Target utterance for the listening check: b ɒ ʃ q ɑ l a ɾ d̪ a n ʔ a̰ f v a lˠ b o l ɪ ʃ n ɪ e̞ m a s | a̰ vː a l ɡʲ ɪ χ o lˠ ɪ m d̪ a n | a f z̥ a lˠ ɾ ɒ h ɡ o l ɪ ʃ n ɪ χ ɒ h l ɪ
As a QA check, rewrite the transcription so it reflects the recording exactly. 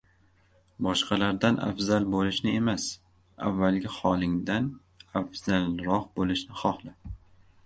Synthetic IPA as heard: b ɒ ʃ q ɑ l a ɾ d̪ a n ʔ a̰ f z a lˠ b o l ɪ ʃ n ɪ e̞ m a s | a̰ vː a l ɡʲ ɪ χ ɒ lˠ ɪ ŋ d̪ a n | a f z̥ a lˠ ɾ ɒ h b o l ɪ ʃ n ɪ χ ɒ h l ɪ